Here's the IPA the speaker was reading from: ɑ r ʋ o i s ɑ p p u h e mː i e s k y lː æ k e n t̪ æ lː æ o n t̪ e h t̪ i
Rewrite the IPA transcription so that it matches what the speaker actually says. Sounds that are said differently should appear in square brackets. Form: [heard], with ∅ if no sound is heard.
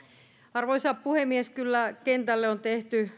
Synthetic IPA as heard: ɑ r ʋ o i s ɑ p p u h e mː i e s k y lː æ k e n t̪ æ lː [e] o n t̪ e h t̪ [y]

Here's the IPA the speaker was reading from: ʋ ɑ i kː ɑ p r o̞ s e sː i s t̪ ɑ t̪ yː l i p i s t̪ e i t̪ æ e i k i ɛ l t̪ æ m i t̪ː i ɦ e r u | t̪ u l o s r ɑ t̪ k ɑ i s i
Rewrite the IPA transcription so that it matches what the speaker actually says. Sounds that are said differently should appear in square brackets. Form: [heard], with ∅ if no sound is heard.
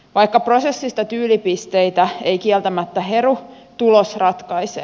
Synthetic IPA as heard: ʋ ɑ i kː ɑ p r o̞ s e sː i s t̪ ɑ t̪ yː l i p i s t̪ e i t̪ æ e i k i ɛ l t̪ æ m [æ] t̪ː [æ] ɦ e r u | t̪ u l o s r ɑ t̪ k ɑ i s [e]

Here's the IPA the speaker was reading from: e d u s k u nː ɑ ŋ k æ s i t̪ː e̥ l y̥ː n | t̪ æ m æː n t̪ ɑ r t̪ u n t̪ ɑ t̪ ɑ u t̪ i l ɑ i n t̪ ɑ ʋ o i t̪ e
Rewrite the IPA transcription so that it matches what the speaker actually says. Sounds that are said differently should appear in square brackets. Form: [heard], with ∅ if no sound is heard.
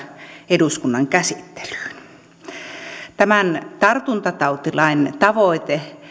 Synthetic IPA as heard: e d u s k u nː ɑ ŋ k æ s i t̪ː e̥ l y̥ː n | t̪ æ m [æ] n t̪ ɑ r t̪ u n t̪ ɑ t̪ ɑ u t̪ i l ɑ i n t̪ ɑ ʋ o i t̪ e

